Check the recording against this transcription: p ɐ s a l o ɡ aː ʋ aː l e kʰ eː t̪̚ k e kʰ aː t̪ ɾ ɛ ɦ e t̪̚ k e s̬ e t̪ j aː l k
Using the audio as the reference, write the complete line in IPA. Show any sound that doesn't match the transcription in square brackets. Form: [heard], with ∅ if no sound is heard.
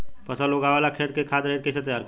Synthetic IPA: p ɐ s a l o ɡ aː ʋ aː l [a] kʰ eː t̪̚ k e kʰ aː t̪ ɾ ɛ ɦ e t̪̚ k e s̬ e t̪ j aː [ɾ] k